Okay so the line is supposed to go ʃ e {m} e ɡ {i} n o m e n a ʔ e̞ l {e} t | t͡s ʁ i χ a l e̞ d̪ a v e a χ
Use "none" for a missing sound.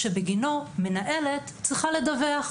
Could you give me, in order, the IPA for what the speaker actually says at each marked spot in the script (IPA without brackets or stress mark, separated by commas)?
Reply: b, i, e